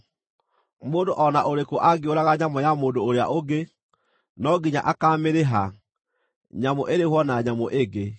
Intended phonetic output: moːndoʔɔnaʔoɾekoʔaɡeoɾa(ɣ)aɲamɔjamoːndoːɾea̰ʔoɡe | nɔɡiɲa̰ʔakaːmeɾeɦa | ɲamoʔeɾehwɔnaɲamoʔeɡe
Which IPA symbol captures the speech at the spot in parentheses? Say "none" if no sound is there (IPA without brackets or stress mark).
ɣ